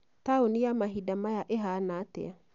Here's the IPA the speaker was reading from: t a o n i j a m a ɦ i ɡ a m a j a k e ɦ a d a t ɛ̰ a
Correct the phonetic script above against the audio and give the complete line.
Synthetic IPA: t a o n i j a m a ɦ i d a m a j a ʔ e ɦ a n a t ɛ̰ a